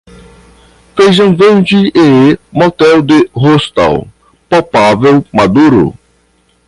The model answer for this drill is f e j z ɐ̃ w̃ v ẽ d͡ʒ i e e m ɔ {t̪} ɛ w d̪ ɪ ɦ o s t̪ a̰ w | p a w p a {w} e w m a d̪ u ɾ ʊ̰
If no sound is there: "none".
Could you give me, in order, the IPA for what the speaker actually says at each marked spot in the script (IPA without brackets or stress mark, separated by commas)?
t̪, v